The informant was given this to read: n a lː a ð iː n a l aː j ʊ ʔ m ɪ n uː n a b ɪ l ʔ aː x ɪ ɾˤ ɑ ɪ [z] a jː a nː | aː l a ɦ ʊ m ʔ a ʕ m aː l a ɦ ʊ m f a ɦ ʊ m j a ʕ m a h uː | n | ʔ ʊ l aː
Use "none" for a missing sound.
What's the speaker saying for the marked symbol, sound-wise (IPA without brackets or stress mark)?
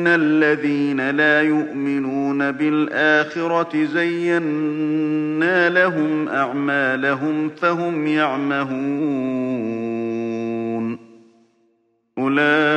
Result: z